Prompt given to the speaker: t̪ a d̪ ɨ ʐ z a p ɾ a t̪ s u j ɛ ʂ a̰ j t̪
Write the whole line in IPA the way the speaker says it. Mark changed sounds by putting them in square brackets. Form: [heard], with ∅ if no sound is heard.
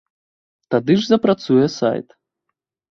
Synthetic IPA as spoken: t̪ a d̪ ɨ ʐ z [ɐ] p ɾ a t̪ s u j ɛ [s] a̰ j t̪

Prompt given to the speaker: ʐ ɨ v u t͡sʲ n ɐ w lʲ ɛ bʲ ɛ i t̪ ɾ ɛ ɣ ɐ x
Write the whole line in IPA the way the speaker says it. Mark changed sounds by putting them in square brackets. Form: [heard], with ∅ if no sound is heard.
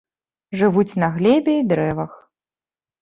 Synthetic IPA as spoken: ʐ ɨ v u t͡sʲ n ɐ [ɣ] lʲ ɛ bʲ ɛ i [d̪] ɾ ɛ [v] ɐ x

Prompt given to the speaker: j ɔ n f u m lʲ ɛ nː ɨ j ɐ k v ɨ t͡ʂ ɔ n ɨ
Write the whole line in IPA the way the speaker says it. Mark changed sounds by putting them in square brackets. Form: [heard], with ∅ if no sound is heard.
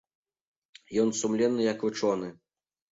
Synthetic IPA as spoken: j ɔ n [s] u m lʲ ɛ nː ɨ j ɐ k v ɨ t͡ʂ ɔ n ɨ

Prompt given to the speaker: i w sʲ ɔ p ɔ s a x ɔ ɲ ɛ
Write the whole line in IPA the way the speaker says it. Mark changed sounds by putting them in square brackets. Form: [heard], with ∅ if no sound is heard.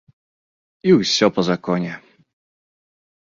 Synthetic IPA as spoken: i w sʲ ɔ p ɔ [z] a [k] ɔ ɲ ɛ

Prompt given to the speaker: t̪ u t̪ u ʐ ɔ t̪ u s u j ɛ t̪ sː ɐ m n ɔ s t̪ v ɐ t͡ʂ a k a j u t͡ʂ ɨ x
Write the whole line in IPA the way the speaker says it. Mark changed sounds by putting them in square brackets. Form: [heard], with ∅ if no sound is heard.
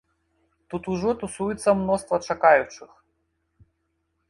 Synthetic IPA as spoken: t̪ u t̪ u ʐ ɔ t̪ u s u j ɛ t̪ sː ɐ m n ɔ s t̪ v ɐ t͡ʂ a k a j u t͡ʂ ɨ x

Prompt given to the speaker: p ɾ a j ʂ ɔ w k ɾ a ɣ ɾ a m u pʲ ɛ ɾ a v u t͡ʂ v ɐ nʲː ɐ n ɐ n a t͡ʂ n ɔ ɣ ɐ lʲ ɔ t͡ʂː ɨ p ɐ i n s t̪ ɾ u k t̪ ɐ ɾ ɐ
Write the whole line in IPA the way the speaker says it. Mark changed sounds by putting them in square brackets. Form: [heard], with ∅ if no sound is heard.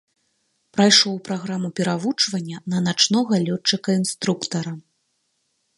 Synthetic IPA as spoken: p ɾ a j ʂ ɔ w [p] ɾ a ɣ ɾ a m u pʲ ɛ ɾ a v u t͡ʂ v ɐ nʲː ɐ n ɐ n a t͡ʂ n ɔ ɣ ɐ lʲ ɔ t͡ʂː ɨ [k] ɐ i n s t̪ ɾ u k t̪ ɐ ɾ ɐ

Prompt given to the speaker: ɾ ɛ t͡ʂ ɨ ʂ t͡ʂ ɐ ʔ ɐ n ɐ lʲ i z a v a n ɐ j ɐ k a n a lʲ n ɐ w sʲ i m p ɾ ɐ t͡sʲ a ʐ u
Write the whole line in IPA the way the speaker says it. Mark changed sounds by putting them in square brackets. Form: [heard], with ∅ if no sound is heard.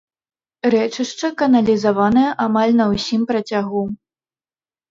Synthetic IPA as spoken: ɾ ɛ t͡ʂ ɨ ʂ t͡ʂ ɐ [k] ɐ n ɐ lʲ i z a v a n ɐ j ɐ [ʔ] a [m] a lʲ n ɐ w sʲ i m p ɾ ɐ t͡sʲ a [ɣ] u

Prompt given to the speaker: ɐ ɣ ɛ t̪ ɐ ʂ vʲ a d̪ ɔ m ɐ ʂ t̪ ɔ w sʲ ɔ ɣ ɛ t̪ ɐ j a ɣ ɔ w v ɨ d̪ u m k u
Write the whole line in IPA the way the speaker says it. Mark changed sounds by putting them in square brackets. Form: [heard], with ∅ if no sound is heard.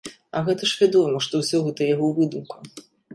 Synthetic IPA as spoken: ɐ ɣ ɛ t̪ ɐ ʂ vʲ a d̪ ɔ m ɐ ʂ t̪ ɔ w sʲ ɔ ɣ ɛ t̪ ɐ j a ɣ ɔ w v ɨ d̪ u m k u

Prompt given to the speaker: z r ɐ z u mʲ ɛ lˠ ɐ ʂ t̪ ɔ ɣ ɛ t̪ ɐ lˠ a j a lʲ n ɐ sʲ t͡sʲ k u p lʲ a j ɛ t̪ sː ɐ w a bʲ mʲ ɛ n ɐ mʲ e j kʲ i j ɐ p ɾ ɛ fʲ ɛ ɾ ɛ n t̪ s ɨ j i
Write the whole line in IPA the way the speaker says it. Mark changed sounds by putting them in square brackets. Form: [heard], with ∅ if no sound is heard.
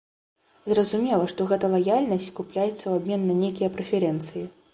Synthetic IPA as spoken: z r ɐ z u mʲ ɛ lˠ ɐ ʂ t̪ ɔ ɣ ɛ t̪ ɐ lˠ a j a lʲ n ɐ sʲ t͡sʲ k u p lʲ a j ɛ t̪ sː ɐ w a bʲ mʲ ɛ [nː] ɐ [nʲ] e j kʲ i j ɐ p ɾ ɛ fʲ ɛ ɾ ɛ n t̪ s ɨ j i

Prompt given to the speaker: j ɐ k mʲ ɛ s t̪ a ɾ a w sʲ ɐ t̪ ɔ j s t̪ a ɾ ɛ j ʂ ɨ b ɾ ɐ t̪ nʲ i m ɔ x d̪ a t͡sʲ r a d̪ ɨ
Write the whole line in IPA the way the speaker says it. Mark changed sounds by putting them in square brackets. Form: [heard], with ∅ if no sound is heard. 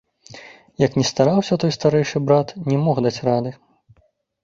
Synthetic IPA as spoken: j ɐ k [nʲ] ɛ s t̪ a ɾ a w sʲ ɐ t̪ ɔ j s t̪ a ɾ ɛ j ʂ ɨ b ɾ [a] t̪ nʲ [ɛ] m ɔ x d̪ a t͡sʲ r a d̪ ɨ

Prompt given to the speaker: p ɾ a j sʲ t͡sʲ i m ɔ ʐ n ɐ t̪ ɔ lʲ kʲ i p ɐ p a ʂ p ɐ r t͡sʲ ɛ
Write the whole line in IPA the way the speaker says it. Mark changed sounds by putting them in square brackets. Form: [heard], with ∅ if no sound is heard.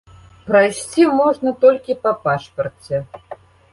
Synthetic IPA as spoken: p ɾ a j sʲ t͡sʲ i m ɔ ʐ n ɐ t̪ ɔ lʲ kʲ i p ɐ p a ʂ p ɐ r t͡sʲ ɛ

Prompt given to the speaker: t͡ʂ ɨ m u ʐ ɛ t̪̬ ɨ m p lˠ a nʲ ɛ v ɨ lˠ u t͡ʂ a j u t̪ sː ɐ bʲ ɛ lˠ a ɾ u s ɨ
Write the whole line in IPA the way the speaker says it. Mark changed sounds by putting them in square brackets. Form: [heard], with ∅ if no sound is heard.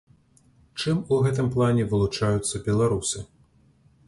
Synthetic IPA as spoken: t͡ʂ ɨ m u [ɣ] ɛ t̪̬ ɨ m p lˠ a nʲ ɛ v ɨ lˠ u t͡ʂ a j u t̪ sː ɐ bʲ ɛ lˠ a ɾ u s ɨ

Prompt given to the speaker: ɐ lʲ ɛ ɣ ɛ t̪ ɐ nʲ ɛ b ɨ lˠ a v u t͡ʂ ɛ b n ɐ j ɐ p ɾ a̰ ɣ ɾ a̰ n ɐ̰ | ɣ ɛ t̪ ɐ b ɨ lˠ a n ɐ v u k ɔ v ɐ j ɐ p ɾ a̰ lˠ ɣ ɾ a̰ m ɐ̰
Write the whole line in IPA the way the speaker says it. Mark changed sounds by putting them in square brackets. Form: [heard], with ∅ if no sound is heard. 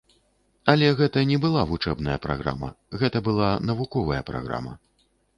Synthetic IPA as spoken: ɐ lʲ ɛ ɣ ɛ t̪ ɐ nʲ ɛ b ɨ lˠ a v u t͡ʂ ɛ b n ɐ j ɐ p ɾ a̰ ɣ ɾ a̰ [m] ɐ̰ | ɣ ɛ t̪ ɐ b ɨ lˠ a n ɐ v u k ɔ v ɐ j ɐ p ɾ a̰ [∅] ɣ ɾ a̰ m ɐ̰

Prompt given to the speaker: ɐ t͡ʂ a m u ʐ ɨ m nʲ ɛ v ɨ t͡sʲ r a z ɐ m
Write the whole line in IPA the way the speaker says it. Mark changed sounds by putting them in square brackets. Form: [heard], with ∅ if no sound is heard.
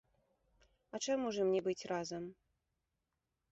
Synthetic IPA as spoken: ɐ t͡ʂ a m u ʐ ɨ m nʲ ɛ [b] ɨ t͡sʲ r a z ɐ m

